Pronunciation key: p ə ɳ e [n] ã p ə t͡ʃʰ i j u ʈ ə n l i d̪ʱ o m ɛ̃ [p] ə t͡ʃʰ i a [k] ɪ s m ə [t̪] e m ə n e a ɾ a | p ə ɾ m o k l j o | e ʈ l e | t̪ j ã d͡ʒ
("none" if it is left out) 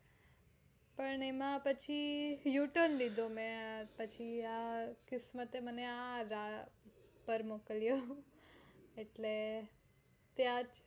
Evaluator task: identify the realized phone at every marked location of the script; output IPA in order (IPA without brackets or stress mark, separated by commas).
m, p, k, t̪